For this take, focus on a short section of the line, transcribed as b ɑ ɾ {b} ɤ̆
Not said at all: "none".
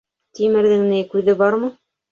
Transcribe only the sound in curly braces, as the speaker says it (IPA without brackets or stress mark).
m